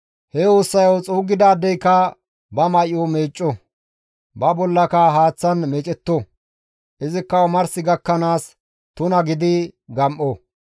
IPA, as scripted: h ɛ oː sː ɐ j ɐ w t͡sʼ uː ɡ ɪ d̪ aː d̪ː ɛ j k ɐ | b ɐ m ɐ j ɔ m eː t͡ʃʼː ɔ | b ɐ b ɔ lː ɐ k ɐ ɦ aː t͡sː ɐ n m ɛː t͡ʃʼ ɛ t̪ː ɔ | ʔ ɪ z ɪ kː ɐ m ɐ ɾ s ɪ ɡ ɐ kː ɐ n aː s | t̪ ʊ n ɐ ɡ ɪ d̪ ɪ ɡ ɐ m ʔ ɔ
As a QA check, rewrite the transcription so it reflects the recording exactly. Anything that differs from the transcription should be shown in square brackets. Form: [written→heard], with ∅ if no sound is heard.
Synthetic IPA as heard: h ɛ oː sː ɐ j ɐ w t͡sʼ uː ɡ ɪ d̪ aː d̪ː ɛ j k ɐ | b ɐ m ɐ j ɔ m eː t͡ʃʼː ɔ | b ɐ b ɔ lː ɐ k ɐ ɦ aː t͡sː ɐ n m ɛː t͡ʃʼ ɛ t̪ː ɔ | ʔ ɪ z ɪ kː ɐ m ɐ ɾ s ɪ ɡ ɐ kː ɐ n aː s | t̪ ʊ n ɐ ɡ ɪ d̪ ɪ ɡ ɐ m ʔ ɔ